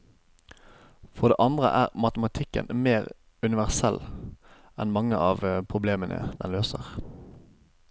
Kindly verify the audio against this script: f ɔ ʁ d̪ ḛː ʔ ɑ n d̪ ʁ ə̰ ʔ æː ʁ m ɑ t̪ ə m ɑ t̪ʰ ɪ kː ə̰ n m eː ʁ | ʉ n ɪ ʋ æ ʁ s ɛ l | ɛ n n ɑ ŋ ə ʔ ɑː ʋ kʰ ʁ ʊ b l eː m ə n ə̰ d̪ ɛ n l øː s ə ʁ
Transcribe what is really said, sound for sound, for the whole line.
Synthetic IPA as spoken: f ɔ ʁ d̪ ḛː ʔ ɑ n d̪ ʁ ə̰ ʔ æː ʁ m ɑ t̪ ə m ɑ t̪ʰ ɪ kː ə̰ n m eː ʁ | ʉ n ɪ ʋ æ ʁ s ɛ l | ɛ n m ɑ ŋ ə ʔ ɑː ʋ pʰ ʁ ʊ b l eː m ə n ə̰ d̪ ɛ n l øː s ə ʁ

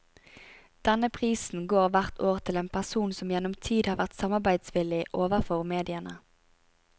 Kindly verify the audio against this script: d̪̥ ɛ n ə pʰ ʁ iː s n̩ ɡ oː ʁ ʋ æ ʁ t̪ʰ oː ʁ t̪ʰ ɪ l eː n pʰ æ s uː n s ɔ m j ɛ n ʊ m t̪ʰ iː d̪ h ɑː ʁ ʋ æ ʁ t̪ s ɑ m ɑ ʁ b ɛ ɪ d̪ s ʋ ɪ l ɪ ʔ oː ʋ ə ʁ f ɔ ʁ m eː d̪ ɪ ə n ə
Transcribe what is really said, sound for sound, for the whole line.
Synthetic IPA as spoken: d̪̥ ɛ n ə pʰ ʁ iː s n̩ ɡ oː ʁ ʋ æ ʁ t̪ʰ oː ʁ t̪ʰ ɪ l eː n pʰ æ s uː n s ɔ m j ɛ n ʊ m t̪ʰ iː d̪ h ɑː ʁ ʋ æ ʁ t̪ s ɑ m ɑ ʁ b æ ɪ d̪ s ʋ ɪ l ɪ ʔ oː ʋ ə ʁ f ɔ ʁ m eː d̪ ɪ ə n ə

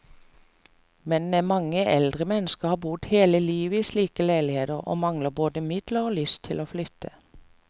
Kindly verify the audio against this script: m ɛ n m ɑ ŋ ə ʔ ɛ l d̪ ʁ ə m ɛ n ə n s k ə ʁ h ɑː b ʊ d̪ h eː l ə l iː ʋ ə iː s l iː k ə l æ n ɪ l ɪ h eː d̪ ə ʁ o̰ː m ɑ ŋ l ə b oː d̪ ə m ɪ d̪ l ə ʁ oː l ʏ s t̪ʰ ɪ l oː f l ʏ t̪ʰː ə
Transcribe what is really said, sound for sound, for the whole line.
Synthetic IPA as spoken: m ɛ n m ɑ ŋ ə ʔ ɛ l d̪ ʁ ə m ɛ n ə s k ə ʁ h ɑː b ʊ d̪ h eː l ə l iː ʋ ə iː s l iː k ə l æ ɪ l ɪ h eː d̪ ə ʁ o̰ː m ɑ ŋ l ə b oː d̪ ə m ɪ d̪ l ə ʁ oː l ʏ s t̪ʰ ɪ l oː f l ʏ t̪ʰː ə

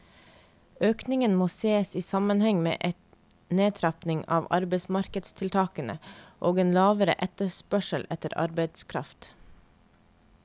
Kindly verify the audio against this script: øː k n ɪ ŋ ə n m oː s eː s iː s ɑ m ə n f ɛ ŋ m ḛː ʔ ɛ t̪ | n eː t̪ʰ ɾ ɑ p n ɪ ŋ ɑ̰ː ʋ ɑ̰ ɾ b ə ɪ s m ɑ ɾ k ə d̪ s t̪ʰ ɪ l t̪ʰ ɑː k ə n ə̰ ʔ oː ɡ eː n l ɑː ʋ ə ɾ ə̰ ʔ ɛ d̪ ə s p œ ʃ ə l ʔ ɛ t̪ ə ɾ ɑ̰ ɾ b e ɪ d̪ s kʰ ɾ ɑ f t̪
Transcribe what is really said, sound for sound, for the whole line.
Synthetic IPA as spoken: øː k n ɪ ŋ ə n m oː s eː s iː s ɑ m ə n h ɛ ŋ m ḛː ʔ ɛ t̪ | n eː t̪ʰ ɾ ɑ p n ɪ ŋ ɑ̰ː ʋ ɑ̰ ɾ b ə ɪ s m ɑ ɾ k ə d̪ s t̪ʰ ɪ l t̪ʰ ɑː k ə n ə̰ ʔ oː ɡ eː n l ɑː ʋ ə ɾ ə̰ ʔ ɛ t̪ ə s p œ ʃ ə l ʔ ɛ t̪ ə ɾ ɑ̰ ɾ b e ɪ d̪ s kʰ ɾ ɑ f t̪

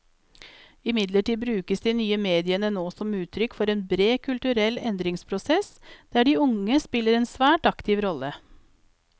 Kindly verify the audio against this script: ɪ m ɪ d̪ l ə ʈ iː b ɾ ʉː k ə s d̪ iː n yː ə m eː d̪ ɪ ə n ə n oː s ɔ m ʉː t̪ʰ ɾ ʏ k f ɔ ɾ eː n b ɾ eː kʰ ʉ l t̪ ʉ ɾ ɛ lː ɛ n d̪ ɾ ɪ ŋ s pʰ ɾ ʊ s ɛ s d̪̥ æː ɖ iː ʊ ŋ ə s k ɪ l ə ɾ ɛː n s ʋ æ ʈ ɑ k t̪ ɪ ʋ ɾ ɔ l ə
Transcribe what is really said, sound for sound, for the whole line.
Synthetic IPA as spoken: ɪ m ɪ d̪ l ə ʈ iː b ɾ ʉː k ə s d̪ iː n yː ə m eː d̪ ɪ ə n ə n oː s ɔ m ʉː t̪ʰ ɾ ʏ k f ɔ ɾ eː n b ɾ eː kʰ ʉ l t̪ ʉ ɾ ɛ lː ɛ n d̪ ɾ ɪ ŋ s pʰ ɾ ʊ s ɛ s d̪̥ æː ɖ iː ʊ ŋ ə s p ɪ l ə ɾ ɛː n s ʋ æː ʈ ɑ k t̪ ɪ ʋ ɾ ɔ l ə

